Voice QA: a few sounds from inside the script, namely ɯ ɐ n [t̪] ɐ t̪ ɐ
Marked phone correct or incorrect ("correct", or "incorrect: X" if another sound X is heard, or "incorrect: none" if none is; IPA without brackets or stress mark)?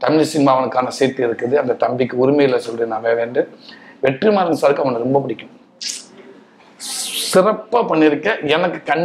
incorrect: d̪